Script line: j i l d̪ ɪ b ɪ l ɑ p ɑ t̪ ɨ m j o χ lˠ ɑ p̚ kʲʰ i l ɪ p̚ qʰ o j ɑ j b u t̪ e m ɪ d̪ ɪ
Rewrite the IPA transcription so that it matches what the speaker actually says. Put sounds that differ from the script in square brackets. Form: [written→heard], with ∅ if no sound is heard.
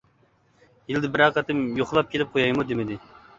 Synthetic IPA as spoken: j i l d̪ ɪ b ɪ [l→ɾ] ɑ [p→q] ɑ t̪ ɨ m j o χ lˠ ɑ p̚ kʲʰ [i→e] l ɪ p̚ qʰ o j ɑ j [b→m] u [t̪→d̪] e m ɪ d̪ ɪ